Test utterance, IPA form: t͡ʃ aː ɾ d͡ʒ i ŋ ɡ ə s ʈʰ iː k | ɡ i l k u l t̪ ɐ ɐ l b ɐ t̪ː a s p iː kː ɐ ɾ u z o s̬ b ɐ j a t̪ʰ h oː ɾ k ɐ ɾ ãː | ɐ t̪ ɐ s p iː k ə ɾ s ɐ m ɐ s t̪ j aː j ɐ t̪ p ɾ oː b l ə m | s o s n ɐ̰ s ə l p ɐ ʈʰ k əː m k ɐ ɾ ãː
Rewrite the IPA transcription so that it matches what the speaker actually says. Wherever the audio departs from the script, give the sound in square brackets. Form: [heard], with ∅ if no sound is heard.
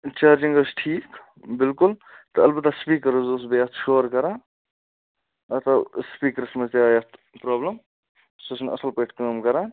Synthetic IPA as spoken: t͡ʃ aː ɾ d͡ʒ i ŋ ɡ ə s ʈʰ iː k | [b] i l k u l t̪ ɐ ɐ l b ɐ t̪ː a s p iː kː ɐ ɾ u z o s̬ b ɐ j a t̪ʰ [ʃ] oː ɾ k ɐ ɾ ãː | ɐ t̪ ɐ s p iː k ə ɾ s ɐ m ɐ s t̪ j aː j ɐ t̪ p ɾ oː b l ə m | s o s n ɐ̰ s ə l p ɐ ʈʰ k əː m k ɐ ɾ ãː